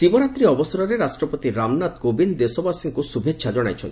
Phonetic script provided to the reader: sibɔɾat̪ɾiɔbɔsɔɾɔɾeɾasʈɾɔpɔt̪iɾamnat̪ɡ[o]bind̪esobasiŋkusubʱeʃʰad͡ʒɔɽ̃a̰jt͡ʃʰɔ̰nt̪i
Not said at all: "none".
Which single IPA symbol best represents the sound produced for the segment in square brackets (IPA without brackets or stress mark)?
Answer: o